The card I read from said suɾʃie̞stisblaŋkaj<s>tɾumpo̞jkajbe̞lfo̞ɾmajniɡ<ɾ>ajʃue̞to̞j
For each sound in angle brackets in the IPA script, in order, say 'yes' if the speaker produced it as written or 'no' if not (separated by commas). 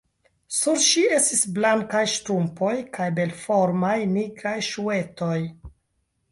no, yes